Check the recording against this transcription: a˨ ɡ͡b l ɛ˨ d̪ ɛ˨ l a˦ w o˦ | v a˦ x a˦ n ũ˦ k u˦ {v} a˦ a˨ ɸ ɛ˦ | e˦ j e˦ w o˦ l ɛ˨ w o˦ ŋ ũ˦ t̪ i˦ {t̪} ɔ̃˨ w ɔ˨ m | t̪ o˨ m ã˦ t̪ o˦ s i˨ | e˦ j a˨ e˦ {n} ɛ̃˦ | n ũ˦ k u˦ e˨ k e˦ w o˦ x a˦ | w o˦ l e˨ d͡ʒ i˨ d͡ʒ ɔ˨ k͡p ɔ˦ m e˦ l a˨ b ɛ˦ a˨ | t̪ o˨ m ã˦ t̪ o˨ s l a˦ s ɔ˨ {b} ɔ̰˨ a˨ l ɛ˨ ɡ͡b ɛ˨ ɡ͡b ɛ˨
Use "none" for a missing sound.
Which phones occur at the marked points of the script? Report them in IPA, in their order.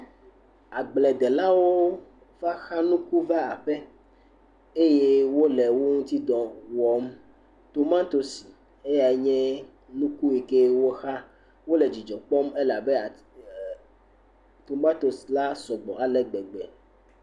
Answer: v, d̪, ɲ, ɡ͡b

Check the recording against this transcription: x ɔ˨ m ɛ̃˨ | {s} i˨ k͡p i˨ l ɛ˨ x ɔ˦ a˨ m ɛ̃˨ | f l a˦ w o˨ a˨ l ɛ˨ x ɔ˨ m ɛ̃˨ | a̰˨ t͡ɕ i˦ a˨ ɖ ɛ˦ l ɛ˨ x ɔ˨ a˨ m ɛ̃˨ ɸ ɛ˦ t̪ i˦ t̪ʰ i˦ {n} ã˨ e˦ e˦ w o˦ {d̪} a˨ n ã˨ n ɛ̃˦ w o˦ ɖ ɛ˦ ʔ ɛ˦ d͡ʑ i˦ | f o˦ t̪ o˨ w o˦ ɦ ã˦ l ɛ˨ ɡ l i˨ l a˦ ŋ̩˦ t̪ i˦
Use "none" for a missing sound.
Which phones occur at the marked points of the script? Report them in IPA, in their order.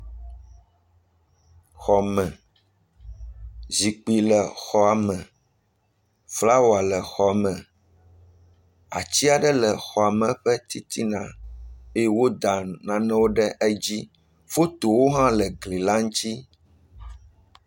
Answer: z, n, d̪

